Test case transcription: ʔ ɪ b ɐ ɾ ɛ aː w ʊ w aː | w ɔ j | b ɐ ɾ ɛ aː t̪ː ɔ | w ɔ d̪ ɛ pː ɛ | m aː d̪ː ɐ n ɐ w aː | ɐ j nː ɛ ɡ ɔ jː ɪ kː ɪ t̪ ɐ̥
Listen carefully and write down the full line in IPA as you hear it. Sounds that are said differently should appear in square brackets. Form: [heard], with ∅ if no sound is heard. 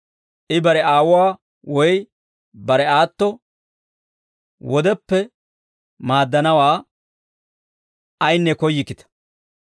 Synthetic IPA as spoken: ʔ ɪ b ɐ ɾ ɛ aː w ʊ w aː | w ɔ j | b ɐ ɾ ɛ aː t̪ː ɔ | w ɔ d̪ ɛ pː ɛ | m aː d̪ː ɐ n ɐ w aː | ɐ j nː ɛ [k] ɔ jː ɪ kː ɪ t̪ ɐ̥